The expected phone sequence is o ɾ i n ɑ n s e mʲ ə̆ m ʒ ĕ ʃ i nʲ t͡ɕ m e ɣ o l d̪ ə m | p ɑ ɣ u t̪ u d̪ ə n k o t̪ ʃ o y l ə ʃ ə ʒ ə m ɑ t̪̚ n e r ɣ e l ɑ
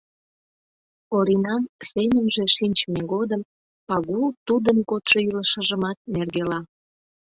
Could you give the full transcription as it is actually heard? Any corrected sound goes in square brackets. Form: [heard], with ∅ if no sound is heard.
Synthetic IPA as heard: o ɾ i n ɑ n s e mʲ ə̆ m ʒ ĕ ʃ i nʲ t͡ɕ m e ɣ o [∅] d̪ ə m | p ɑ ɣ u t̪ u d̪ ə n k o t̪ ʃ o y l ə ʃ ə ʒ ə m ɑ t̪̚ n e r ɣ e l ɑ